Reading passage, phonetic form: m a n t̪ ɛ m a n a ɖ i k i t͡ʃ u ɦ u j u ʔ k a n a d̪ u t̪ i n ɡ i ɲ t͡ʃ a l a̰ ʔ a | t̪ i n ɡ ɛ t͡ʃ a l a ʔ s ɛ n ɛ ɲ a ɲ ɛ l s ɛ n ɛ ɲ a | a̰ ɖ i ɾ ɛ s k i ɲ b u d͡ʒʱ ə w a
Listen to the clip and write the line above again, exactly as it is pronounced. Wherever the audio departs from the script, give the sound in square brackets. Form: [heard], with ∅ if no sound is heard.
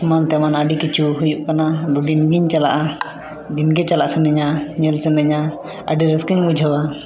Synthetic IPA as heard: m a n t̪ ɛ m a n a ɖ i k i t͡ʃ u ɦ u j u ʔ k a n a d̪ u [d̪] i n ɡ i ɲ t͡ʃ a l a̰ ʔ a | [d̪] i n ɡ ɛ t͡ʃ a l a ʔ s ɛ n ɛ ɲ a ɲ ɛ l s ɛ n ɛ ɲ a | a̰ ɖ i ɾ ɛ s k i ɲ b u d͡ʒʱ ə w a